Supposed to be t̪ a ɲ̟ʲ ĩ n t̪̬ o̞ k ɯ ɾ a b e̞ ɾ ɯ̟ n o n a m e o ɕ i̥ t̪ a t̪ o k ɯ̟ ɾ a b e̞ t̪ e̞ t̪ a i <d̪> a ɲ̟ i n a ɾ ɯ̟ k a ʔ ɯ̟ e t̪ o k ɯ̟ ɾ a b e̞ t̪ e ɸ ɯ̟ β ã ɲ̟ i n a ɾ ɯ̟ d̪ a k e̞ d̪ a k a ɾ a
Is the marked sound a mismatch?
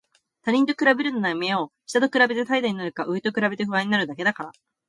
no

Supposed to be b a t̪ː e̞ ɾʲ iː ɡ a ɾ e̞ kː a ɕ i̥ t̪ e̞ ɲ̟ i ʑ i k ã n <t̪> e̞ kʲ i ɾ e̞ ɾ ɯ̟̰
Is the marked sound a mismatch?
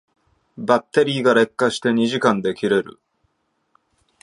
yes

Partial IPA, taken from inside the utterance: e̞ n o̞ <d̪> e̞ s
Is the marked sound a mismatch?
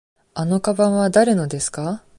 no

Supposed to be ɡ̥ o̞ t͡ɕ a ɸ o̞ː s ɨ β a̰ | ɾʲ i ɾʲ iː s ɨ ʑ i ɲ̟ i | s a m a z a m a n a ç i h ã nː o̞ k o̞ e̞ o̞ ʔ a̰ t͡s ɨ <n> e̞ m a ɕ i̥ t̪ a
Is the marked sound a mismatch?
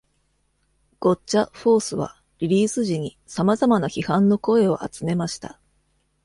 yes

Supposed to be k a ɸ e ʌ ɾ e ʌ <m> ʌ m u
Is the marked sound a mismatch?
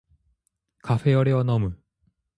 yes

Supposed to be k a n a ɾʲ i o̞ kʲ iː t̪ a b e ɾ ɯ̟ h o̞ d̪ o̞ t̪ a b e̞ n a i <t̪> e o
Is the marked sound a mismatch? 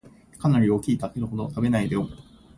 yes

